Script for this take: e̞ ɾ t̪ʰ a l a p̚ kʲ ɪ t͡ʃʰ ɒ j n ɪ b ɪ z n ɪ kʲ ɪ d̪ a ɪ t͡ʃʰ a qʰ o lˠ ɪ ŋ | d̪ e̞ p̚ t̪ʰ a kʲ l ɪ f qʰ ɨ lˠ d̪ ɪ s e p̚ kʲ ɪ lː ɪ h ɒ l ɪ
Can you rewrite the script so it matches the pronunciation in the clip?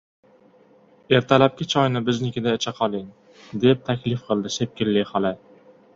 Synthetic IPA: e̞ ɾ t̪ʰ a l a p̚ kʲ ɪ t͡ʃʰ ɒ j n ɪ b ɪ z n ɪ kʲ ɪ d̪ a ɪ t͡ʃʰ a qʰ ɒ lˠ ɪ ŋ | d̪ e̞ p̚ t̪ʰ a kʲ l ɪ f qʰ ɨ lˠ d̪ ɪ s e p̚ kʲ ɪ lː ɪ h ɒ l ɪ